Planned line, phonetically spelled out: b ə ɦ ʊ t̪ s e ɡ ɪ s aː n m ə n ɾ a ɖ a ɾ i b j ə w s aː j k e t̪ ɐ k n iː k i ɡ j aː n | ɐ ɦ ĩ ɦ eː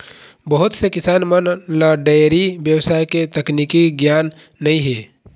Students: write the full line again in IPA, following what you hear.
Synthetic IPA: b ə ɦ ʊ t̪ s e k ɪ s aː n m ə n l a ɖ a ɾ i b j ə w s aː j k e t̪ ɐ k n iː k i ɡ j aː nː | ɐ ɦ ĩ ɦ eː

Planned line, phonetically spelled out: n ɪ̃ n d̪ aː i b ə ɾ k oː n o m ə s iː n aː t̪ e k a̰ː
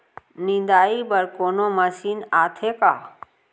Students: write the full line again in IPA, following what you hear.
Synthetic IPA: n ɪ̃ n d̪ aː i b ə ɾ k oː n o m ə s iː n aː t̪ʰ e k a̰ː

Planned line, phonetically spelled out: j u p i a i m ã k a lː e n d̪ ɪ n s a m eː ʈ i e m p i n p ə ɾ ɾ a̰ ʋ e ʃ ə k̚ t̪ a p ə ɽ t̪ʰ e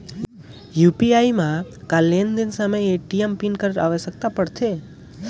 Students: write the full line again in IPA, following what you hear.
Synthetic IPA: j u p i a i m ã k a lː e n d̪ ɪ n s a m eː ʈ i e m p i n k ə ɾ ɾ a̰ ʋ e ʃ ə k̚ t̪ a p ə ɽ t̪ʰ e

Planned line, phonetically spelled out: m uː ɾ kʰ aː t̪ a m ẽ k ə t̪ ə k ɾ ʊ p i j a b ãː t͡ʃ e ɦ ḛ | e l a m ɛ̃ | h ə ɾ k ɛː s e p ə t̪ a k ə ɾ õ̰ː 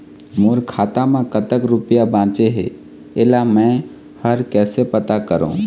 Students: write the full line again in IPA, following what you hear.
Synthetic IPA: m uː ɾ kʰ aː t̪ a m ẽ k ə t̪ ə k ɾ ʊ p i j a b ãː t͡ʃ e ɦ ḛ | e l a m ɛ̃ | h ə ɾ k ɛː s e p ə t̪ a k ə ɾ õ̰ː

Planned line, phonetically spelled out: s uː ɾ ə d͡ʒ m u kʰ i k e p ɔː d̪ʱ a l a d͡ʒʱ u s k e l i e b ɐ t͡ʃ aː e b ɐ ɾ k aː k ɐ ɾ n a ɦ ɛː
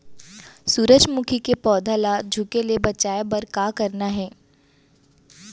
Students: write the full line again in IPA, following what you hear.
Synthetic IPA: s uː ɾ ə d͡ʒ m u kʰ i k e p ɔː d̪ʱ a l a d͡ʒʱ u k e l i e b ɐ t͡ʃ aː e b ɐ ɾ k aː k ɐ ɾ n a ɦ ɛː

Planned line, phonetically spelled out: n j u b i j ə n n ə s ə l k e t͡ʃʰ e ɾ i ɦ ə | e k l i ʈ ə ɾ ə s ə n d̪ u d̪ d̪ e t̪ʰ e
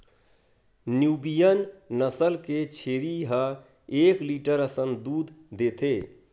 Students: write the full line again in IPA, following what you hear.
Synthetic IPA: n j u b i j ə n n ə s ə l k e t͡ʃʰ e ɾ i ɦ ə | e k l i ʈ ə ɾ ə s ə n d̪ u d̪ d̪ e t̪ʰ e

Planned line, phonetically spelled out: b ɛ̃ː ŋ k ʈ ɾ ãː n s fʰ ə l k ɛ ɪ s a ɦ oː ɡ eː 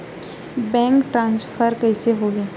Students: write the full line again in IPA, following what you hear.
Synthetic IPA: b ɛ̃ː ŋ k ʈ ɾ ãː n s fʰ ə ɾ k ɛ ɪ s e ɦ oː ɡ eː

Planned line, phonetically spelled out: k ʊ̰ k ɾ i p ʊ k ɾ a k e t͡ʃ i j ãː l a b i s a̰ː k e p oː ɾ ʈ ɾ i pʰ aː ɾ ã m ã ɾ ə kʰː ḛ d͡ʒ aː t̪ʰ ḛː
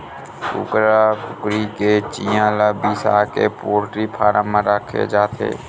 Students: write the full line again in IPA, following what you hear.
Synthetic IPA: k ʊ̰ k ɾ a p ʊ k ɾ i k e t͡ʃ i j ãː l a b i s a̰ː k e p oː ɾ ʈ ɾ i pʰ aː ɾ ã m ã ɾ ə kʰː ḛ d͡ʒ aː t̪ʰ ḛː

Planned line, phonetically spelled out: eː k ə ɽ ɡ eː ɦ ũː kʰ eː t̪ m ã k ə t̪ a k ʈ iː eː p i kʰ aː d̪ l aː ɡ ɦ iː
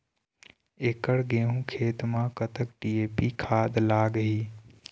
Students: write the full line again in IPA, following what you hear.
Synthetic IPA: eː k ə ɽ ɡ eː ɦ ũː kʰ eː t̪ m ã k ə t̪ ə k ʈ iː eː p i kʰ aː d̪ l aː ɡ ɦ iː

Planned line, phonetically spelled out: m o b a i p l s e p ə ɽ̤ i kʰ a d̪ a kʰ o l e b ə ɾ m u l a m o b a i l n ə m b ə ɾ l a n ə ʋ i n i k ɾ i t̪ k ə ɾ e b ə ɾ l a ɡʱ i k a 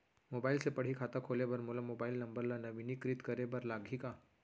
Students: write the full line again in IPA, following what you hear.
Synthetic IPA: m o b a i l s e p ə ɽ̤ i kʰ a t̪ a kʰ o l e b ə ɾ m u l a m o b a i l n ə m b ə ɾ l a n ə ʋ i n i k ɾ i t̪ k ə ɾ e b ə ɾ l a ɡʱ i k a

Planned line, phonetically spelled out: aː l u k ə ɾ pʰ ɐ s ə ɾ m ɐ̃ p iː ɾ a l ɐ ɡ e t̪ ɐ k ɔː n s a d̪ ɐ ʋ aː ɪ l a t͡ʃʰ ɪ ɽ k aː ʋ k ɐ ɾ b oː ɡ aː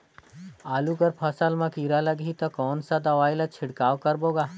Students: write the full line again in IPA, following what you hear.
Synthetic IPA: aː l u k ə ɾ pʰ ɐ s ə l m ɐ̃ k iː ɾ a l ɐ ɡ i t̪ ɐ k ɔː n s a d̪ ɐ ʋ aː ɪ l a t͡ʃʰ ɪ ɽ k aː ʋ k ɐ ɾ b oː ɡ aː

